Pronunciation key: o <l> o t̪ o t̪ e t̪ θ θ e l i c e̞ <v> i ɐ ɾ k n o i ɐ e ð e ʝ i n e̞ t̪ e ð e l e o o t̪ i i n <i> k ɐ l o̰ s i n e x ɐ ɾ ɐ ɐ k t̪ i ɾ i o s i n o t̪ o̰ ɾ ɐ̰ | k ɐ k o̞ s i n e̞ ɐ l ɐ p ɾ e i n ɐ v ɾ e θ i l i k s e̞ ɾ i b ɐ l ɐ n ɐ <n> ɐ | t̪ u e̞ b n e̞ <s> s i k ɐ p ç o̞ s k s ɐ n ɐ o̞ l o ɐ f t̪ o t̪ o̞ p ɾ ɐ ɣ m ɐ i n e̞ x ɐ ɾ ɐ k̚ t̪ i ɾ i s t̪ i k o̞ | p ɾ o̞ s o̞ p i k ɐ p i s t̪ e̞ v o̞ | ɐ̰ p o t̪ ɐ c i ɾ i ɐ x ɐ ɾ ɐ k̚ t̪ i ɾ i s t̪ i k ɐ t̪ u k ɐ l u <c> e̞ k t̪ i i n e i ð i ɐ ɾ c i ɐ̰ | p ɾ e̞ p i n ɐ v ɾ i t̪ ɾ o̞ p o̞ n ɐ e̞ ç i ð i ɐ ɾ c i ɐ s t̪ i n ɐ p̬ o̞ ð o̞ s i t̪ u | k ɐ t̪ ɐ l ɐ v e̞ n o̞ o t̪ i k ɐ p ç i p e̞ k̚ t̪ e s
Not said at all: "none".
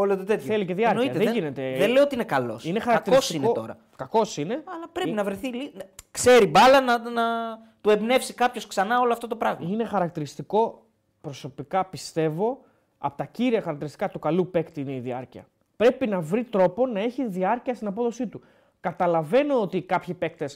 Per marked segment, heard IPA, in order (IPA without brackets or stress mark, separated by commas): l, ð, e, n, f, p